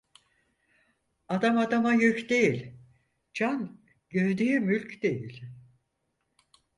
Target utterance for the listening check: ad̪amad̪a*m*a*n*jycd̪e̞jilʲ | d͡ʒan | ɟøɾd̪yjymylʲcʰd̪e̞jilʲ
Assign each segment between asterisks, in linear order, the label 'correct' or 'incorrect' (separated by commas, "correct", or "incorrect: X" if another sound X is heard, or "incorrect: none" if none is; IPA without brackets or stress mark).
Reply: correct, incorrect: none